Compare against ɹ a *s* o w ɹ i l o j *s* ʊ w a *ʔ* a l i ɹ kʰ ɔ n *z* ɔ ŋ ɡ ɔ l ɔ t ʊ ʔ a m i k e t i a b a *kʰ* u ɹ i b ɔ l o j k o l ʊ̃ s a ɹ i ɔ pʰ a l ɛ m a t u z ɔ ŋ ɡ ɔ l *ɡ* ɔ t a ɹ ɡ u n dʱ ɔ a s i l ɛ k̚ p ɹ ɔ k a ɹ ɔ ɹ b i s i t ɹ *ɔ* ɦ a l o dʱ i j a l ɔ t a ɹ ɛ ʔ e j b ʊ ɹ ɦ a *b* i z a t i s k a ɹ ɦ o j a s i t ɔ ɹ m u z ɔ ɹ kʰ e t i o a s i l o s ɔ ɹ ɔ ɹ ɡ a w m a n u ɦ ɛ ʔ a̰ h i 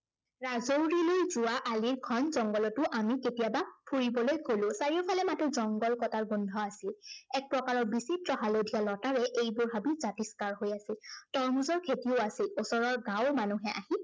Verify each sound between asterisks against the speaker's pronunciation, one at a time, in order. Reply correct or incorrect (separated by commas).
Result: incorrect, incorrect, correct, correct, incorrect, incorrect, correct, correct